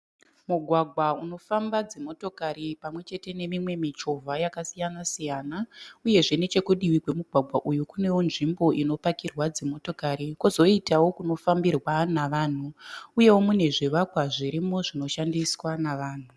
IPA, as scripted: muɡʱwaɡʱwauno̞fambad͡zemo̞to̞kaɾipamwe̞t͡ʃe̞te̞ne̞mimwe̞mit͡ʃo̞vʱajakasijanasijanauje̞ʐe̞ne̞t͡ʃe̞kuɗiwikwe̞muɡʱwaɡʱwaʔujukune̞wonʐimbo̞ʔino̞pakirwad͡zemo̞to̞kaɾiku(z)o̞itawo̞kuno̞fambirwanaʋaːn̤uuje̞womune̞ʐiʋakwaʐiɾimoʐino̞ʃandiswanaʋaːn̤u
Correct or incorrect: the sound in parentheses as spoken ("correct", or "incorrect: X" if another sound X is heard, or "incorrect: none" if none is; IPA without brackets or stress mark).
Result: correct